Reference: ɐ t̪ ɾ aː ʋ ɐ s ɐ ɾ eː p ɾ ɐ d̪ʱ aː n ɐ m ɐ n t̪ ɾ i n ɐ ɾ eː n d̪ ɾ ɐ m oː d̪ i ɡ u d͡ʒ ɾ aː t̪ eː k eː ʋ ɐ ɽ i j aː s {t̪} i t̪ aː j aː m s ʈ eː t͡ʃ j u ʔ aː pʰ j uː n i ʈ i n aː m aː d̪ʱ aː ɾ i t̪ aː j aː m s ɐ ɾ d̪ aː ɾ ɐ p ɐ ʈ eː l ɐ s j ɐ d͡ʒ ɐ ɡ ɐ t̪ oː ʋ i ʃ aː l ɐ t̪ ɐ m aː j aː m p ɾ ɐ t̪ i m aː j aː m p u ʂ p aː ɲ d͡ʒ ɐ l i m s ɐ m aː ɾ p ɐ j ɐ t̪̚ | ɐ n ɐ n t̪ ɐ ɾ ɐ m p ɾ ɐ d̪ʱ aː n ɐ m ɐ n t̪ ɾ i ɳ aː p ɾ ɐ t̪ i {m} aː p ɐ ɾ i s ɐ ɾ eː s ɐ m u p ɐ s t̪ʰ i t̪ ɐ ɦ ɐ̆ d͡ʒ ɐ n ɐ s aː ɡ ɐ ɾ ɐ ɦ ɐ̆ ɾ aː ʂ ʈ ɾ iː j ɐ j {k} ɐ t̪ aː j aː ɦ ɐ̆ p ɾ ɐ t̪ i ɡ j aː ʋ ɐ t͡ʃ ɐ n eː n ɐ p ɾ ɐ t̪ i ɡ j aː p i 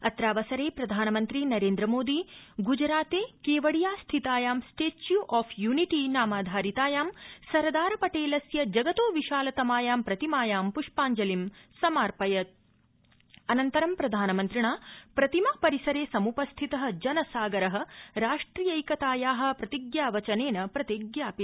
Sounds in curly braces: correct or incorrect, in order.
incorrect, correct, correct

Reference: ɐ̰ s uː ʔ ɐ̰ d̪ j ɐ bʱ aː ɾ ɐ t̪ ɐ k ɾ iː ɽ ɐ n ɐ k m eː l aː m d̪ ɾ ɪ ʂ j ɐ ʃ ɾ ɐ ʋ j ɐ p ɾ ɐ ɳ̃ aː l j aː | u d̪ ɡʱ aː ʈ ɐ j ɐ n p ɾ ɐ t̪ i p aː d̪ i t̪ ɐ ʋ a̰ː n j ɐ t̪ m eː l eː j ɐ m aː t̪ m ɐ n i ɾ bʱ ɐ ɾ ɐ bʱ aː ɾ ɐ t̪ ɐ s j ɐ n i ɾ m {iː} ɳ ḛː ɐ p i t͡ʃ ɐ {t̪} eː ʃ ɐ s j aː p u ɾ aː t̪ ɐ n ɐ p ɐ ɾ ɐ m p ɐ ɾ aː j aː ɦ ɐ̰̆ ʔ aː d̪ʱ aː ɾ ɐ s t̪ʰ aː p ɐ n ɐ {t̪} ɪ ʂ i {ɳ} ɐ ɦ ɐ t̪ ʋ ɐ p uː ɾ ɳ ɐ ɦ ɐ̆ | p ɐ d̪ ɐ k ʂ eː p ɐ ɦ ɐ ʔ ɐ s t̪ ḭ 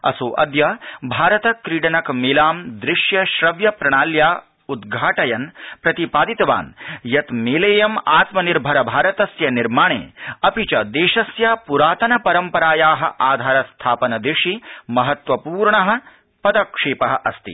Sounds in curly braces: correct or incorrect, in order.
incorrect, incorrect, incorrect, incorrect

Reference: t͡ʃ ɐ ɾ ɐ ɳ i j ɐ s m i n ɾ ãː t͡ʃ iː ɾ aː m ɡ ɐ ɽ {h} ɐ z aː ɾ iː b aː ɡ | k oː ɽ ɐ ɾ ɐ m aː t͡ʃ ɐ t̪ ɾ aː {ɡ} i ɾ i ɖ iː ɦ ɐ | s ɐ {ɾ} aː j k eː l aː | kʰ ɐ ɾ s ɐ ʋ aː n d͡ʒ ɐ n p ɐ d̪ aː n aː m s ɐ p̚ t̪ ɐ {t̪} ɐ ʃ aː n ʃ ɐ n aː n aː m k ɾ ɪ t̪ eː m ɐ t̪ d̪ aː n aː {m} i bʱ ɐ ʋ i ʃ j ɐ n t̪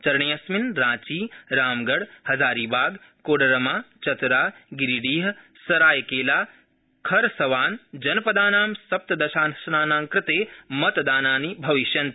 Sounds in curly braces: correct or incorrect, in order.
correct, correct, correct, incorrect, incorrect

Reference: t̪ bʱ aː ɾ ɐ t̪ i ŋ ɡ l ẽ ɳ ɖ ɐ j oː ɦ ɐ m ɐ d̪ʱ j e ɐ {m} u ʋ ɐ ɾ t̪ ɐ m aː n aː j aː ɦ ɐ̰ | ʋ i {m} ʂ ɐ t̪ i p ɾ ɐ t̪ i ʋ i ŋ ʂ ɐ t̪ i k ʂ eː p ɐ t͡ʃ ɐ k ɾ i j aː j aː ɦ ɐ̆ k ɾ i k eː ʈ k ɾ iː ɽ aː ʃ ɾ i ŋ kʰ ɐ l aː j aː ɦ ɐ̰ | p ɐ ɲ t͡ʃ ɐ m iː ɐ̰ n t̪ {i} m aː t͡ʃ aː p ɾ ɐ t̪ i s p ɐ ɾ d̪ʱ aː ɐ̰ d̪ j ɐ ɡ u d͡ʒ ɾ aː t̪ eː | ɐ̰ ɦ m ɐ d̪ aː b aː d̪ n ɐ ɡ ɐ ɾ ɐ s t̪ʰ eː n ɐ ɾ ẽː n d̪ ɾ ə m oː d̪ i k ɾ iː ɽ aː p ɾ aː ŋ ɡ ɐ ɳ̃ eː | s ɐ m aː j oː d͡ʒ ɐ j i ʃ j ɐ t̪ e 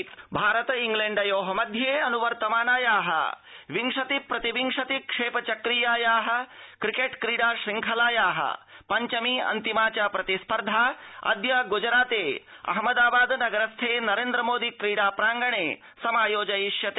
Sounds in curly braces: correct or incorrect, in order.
incorrect, incorrect, correct

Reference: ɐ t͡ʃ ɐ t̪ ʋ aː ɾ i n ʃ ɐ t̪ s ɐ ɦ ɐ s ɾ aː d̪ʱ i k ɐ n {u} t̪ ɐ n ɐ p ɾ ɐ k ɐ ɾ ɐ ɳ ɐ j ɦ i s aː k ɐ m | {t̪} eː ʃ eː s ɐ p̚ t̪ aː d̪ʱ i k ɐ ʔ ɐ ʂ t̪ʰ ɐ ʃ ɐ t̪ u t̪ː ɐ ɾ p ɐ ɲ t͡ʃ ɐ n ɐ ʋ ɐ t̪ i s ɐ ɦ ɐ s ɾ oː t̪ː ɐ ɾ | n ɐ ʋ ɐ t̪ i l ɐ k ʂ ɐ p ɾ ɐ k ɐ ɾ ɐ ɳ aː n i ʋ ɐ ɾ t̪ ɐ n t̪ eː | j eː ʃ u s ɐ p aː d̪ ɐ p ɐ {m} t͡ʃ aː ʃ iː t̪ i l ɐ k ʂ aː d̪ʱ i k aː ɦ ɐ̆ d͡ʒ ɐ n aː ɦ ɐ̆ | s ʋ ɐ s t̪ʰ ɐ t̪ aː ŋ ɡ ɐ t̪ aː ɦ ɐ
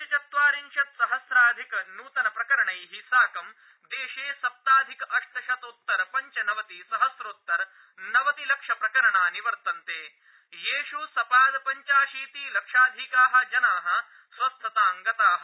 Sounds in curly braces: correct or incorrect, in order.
incorrect, incorrect, incorrect

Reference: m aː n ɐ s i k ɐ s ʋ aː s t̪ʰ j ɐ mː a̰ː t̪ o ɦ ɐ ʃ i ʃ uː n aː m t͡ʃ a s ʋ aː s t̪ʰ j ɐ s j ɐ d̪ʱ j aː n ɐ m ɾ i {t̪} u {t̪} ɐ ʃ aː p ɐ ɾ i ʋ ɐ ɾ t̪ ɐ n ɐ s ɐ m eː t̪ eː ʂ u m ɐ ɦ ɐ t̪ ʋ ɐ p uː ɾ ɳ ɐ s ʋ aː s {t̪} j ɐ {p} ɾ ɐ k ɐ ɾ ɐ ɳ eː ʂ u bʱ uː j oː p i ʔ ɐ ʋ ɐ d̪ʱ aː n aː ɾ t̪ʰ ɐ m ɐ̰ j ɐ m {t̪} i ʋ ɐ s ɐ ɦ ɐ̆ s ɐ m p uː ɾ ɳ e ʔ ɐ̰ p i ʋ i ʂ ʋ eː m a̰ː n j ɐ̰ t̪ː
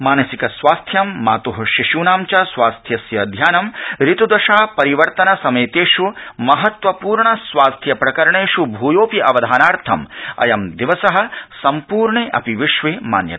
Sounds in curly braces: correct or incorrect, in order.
correct, incorrect, incorrect, correct, incorrect

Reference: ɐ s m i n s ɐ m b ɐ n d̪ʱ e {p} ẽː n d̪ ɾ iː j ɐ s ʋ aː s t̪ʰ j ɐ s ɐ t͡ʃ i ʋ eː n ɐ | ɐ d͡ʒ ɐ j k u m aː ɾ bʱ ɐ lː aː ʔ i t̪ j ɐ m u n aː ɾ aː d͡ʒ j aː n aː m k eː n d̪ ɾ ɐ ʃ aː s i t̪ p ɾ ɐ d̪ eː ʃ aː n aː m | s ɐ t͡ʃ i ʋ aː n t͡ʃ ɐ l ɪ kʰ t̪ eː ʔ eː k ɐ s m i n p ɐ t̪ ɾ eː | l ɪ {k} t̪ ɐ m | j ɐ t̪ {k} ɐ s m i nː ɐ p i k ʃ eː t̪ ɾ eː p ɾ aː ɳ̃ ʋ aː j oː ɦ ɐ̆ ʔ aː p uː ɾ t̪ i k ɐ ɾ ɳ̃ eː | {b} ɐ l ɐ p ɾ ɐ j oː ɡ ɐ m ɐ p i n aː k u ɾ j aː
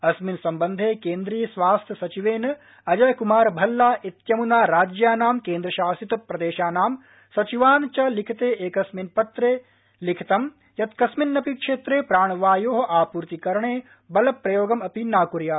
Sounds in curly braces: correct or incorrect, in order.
incorrect, incorrect, correct, correct

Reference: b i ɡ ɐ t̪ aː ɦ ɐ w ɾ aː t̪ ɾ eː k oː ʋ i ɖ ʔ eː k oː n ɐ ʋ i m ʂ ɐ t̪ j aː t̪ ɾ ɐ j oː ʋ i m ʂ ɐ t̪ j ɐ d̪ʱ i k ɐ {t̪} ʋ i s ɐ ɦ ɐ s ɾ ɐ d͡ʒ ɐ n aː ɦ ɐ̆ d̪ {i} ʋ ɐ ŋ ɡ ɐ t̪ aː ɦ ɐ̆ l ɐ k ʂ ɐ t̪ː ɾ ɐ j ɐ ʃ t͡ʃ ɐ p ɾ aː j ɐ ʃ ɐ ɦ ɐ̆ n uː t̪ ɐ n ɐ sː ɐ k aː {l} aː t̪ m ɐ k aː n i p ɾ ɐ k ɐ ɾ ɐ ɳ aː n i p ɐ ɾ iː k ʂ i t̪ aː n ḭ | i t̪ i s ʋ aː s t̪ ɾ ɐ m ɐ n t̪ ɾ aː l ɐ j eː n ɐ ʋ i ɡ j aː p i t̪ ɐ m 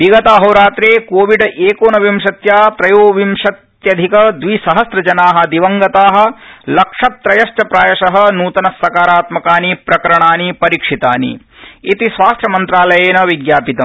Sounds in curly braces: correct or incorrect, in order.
incorrect, correct, incorrect

